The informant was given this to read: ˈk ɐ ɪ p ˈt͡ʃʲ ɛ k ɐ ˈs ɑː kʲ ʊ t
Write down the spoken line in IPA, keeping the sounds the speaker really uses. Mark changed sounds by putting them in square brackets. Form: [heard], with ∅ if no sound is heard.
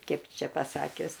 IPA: ˈk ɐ ɪ p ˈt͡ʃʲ ɛ [p] ɐ ˈs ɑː kʲ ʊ [s]